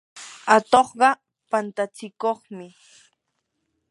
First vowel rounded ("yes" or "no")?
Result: no